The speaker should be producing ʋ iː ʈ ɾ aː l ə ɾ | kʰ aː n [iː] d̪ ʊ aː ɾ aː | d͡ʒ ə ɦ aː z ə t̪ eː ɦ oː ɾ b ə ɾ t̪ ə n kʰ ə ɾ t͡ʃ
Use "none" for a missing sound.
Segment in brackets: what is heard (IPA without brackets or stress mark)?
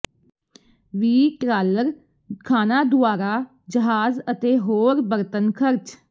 aː